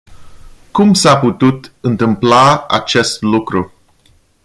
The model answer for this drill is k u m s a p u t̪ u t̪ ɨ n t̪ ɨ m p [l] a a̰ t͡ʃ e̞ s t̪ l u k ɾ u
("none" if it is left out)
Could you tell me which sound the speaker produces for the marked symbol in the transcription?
l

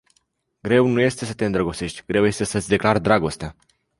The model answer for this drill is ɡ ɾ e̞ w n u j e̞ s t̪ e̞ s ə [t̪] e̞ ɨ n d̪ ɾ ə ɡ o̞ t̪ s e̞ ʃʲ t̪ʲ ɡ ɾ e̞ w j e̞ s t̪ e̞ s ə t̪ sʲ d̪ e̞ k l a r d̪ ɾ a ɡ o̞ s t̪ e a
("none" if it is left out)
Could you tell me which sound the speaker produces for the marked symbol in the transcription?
t̪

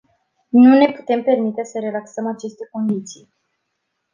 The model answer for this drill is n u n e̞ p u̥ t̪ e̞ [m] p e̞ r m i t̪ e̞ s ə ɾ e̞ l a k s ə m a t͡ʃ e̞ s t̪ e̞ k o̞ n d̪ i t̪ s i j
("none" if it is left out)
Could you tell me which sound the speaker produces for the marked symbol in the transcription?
m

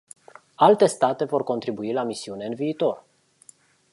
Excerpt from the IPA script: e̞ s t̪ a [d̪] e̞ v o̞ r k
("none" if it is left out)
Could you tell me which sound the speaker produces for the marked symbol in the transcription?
t̪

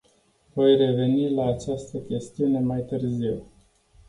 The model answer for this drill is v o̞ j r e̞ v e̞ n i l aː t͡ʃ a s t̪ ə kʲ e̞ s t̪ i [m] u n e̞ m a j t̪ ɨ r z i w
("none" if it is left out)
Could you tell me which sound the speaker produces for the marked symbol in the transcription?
none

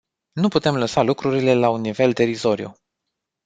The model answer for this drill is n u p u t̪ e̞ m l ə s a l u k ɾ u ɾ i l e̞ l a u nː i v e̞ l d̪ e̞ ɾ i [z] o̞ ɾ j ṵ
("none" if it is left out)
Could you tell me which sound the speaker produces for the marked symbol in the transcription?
z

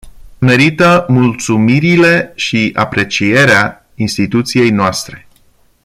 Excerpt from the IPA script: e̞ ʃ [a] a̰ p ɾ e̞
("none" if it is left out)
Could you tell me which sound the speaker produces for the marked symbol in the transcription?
i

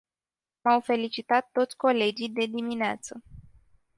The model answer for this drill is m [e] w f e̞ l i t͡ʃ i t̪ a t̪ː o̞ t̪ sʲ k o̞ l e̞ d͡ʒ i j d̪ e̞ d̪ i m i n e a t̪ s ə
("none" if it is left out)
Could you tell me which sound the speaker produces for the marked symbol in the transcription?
a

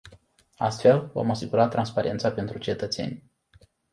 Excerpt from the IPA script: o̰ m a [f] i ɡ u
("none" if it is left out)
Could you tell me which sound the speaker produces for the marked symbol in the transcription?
s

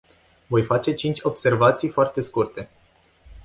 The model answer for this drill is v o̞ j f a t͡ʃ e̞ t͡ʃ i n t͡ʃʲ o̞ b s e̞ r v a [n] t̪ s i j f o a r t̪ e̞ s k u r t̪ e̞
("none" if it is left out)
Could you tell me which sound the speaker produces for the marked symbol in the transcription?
none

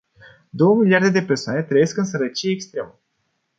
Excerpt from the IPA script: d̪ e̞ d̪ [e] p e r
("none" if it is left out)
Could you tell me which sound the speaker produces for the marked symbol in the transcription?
e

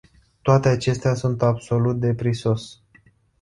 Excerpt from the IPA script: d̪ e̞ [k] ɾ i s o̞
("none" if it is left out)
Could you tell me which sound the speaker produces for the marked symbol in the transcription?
p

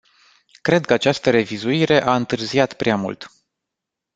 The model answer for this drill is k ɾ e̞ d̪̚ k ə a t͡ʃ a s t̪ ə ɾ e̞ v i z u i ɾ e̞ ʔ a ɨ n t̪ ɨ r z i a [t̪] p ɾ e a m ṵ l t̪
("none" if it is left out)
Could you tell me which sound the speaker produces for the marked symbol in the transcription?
t̪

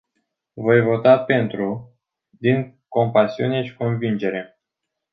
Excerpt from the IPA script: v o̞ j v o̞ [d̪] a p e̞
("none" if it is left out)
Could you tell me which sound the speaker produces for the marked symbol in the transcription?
t̪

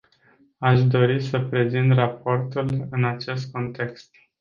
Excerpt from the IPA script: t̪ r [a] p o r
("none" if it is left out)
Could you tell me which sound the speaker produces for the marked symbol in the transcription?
a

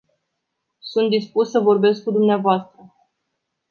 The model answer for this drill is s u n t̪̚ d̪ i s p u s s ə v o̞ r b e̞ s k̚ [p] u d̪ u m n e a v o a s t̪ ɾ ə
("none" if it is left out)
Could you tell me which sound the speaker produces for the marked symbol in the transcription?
k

